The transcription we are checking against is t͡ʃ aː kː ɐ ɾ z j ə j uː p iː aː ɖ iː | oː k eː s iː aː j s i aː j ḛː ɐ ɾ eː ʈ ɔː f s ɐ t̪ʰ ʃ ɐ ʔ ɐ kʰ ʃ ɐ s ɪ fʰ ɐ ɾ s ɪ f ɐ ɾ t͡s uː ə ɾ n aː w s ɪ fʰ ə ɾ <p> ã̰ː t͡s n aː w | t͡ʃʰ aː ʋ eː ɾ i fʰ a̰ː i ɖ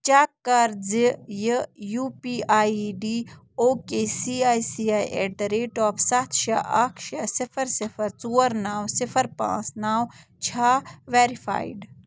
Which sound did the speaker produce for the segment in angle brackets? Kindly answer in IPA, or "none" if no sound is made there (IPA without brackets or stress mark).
p